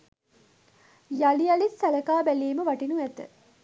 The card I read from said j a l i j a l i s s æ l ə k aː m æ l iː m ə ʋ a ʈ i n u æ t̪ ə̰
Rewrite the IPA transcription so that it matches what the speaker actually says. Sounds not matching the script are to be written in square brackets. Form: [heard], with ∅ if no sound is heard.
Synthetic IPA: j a l i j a l i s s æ l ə k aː [b] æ l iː m ə ʋ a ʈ i n u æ t̪ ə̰